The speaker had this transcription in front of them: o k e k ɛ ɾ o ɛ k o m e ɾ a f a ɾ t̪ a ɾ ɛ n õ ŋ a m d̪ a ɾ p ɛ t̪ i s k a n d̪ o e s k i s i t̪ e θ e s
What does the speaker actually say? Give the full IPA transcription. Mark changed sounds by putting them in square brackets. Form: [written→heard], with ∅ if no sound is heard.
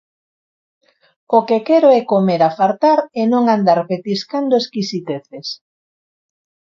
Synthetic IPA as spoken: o k e k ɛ ɾ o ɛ k o m e ɾ a f a ɾ t̪ a ɾ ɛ n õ ŋ a [m→n] d̪ a ɾ p [ɛ→e] t̪ i s k a n d̪ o e s k i s i t̪ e θ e s